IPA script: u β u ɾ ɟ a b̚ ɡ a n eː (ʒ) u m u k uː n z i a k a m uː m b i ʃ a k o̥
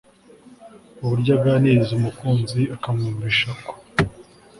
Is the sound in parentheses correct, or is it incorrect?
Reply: incorrect